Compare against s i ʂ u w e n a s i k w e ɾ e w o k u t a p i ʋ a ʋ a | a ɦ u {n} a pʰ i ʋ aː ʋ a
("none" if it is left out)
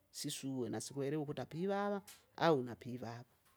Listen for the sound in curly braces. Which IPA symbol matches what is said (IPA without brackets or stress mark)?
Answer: n